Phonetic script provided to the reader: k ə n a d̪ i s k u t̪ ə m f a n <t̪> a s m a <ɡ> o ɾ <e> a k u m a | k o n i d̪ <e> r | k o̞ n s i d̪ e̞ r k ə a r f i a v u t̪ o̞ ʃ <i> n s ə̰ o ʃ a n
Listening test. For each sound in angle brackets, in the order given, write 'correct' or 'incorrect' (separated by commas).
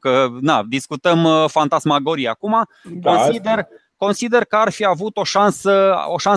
correct, correct, incorrect, correct, incorrect